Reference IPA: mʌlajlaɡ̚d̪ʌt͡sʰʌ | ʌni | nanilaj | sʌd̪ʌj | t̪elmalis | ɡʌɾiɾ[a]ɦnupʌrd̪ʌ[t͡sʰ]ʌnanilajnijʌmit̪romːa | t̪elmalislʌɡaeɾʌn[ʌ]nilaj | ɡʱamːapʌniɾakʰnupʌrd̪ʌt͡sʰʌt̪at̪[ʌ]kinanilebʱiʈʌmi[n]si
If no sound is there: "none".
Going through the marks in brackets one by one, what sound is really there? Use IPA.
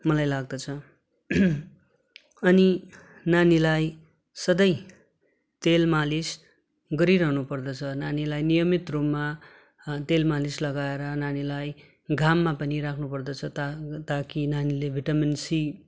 ʌ, t͡sʰ, a, a, n

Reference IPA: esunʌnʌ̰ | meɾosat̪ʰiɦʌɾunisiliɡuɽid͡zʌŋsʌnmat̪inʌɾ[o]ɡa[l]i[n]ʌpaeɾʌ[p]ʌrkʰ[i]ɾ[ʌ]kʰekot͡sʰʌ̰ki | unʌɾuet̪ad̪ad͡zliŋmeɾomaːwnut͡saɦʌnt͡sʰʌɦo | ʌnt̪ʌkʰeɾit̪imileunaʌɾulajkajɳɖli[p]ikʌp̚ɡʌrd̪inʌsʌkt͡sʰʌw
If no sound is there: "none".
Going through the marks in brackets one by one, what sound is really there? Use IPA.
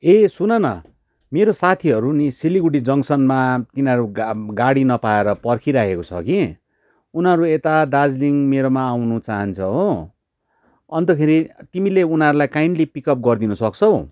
u, ɽ, n, p, i, a, p

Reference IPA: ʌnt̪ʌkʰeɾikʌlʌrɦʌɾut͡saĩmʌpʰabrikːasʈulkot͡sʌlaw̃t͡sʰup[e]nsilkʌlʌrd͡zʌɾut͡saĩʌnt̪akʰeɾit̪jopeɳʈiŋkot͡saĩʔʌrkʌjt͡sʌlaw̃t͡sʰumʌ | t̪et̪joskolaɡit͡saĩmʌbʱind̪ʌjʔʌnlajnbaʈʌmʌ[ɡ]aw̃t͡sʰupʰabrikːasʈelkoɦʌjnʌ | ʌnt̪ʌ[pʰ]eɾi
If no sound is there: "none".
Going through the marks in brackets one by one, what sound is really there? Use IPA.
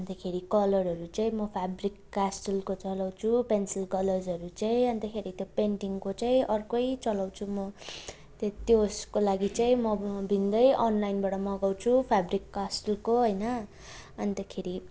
e, ɡ, kʰ

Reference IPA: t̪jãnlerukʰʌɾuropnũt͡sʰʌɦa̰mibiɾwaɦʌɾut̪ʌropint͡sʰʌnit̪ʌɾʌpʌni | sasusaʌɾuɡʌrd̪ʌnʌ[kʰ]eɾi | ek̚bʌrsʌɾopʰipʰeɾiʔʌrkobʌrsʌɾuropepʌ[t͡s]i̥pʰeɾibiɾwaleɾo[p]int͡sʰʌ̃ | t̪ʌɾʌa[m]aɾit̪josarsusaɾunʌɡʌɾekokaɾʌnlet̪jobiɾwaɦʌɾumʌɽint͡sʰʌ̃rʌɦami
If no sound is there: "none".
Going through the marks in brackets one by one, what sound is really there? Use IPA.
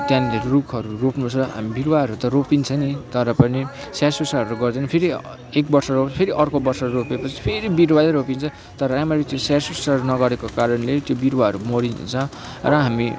pʰ, t͡sʰ, p, m

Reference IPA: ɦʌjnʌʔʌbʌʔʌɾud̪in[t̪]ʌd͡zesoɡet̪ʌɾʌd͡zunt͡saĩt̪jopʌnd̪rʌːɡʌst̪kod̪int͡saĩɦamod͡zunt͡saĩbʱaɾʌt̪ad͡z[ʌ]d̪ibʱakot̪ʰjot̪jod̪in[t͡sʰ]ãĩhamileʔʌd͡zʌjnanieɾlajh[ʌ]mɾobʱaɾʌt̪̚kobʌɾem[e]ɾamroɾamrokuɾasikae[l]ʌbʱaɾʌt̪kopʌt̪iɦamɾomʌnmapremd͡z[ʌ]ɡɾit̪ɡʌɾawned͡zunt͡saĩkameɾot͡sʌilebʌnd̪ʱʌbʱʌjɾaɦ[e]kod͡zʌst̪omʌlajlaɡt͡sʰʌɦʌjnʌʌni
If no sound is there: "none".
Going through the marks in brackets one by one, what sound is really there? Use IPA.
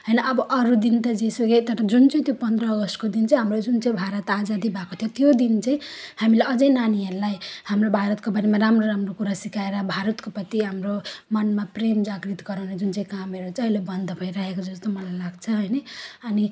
t̪, a, t͡s, a, a, ɾ, a, e

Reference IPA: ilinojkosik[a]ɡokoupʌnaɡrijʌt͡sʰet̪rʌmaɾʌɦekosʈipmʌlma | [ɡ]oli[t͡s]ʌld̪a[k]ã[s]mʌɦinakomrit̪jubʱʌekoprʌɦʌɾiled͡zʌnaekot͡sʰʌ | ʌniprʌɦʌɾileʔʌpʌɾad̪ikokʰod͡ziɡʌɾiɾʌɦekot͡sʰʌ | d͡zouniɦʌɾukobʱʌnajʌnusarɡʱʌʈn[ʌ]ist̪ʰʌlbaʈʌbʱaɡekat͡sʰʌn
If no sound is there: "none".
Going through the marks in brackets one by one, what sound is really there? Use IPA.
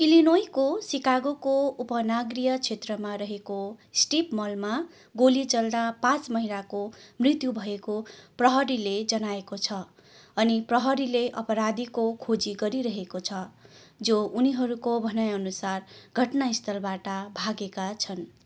a, ɡ, t͡s, p, t͡s, a

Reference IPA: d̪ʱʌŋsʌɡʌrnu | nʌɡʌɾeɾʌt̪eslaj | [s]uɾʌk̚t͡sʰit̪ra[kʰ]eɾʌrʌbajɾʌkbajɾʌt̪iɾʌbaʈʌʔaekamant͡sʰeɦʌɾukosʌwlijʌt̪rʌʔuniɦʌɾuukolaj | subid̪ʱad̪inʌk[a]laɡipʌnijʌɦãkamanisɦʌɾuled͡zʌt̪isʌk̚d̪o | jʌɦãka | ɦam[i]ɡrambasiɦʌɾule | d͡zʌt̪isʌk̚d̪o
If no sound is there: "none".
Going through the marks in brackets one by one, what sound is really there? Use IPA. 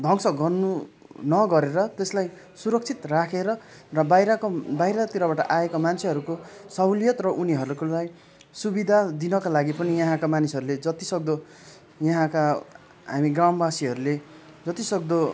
s, kʰ, a, i

